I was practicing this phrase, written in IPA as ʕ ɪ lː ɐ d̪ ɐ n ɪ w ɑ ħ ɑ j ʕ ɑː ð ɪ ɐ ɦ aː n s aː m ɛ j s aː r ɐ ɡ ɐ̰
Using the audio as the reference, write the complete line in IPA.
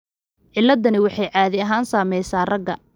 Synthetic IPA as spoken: ʕ ɪ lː ɐ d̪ ɐ n ɪ w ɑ ħ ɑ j ʕ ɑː ð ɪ ɐ ɦ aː n s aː m ɛ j s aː r ɐ ɡ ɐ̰